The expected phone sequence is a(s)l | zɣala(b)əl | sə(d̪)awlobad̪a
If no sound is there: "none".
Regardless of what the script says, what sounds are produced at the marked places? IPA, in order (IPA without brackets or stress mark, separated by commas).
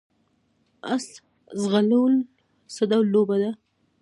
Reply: s, w, d̪